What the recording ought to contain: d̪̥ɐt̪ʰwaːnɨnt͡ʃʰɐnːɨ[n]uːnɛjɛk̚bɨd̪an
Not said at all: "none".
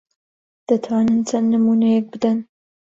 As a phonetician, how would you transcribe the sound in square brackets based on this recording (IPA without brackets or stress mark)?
m